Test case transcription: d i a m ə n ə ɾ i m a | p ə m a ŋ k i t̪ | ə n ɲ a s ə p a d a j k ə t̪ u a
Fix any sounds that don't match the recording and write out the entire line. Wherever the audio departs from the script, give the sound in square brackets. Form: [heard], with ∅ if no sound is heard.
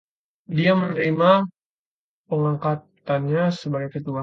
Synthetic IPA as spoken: d i a m ə n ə ɾ i m a | p ə [ŋ] a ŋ k [a] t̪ | [a] n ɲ a s ə [b] a [ɡ] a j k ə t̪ u a